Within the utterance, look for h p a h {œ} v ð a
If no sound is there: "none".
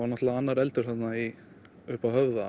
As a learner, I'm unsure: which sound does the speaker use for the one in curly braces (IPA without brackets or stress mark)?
œ